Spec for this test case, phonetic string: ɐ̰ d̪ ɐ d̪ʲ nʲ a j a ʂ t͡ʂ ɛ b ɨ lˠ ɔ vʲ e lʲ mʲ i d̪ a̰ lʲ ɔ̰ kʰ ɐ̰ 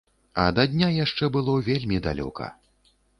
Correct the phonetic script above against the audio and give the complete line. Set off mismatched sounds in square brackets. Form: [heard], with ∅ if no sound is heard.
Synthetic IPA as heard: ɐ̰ d̪ ɐ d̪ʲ nʲ a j a ʂ t͡ʂ ɛ b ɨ lˠ ɔ vʲ e lʲ mʲ i d̪ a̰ lʲ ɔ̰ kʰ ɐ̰